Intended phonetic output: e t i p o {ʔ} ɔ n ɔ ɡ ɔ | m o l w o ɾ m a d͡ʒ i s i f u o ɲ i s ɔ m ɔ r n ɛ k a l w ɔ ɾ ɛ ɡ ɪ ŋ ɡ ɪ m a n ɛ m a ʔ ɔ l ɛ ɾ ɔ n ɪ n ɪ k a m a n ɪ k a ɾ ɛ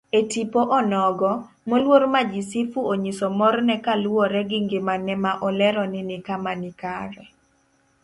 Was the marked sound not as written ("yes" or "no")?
no